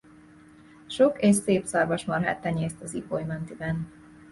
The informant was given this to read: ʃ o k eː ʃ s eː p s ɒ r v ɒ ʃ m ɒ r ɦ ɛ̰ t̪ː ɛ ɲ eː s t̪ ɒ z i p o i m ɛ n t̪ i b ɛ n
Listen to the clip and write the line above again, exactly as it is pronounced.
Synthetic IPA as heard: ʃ o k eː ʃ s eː p s ɒ r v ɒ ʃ m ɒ r ɦ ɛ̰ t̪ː ɛ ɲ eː s t̪ ɒ z i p o j m ɛ n t̪ i b ɛ n